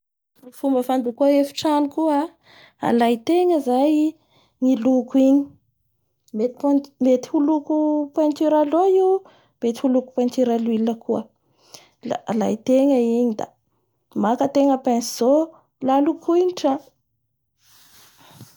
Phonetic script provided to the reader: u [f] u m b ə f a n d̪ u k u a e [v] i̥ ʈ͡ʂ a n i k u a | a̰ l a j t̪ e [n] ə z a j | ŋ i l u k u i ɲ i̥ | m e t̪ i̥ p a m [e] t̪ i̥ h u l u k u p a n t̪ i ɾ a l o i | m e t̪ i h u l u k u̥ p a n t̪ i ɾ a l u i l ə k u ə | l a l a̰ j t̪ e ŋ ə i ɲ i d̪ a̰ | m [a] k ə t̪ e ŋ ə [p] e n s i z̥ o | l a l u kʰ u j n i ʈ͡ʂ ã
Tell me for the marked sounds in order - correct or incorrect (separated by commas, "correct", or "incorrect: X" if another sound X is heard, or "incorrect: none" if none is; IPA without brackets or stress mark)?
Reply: correct, incorrect: f, incorrect: ŋ, correct, correct, correct